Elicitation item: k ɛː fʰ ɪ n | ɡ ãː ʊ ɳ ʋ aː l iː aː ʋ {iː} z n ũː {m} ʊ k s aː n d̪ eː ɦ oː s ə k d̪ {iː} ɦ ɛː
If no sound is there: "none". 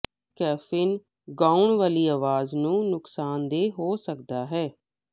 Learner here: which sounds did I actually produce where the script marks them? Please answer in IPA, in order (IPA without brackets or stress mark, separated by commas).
aː, n, aː